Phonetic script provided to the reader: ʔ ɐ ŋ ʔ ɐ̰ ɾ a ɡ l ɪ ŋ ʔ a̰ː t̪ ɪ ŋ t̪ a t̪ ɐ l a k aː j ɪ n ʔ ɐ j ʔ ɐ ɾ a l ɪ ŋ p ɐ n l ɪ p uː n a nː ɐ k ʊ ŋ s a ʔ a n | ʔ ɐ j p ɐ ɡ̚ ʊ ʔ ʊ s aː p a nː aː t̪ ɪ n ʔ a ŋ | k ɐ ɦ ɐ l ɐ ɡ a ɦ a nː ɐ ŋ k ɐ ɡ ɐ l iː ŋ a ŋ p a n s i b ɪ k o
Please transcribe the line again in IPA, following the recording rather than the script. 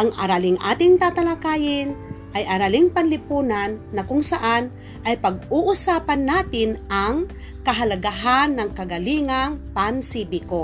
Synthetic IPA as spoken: ʔ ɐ ŋ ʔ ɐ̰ ɾ a l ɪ ŋ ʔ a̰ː t̪ ɪ ŋ t̪ a t̪ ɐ l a k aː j ɪ n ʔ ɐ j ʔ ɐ ɾ a l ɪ ŋ p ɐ n l ɪ p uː n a nː ɐ k ʊ ŋ s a ʔ a n | ʔ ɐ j p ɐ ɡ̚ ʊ ʔ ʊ s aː p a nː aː t̪ ɪ n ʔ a ŋ | k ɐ ɦ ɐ l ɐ ɡ a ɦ a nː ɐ ŋ k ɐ ɡ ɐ l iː ŋ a ŋ p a n s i b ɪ k o